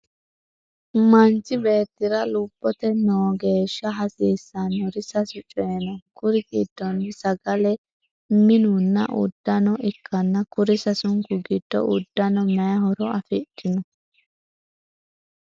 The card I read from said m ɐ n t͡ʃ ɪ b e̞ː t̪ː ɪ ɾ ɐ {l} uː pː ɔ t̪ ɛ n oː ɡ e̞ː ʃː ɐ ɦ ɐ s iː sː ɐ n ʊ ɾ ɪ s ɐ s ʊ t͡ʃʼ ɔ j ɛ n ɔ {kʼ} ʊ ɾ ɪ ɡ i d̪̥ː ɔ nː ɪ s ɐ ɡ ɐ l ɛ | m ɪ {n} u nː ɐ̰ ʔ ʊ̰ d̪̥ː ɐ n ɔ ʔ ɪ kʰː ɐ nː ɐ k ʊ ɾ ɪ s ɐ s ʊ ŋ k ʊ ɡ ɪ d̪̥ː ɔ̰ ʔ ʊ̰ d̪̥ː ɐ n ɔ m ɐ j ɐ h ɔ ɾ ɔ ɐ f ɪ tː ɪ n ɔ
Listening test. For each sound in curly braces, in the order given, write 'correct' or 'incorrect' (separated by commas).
correct, incorrect, correct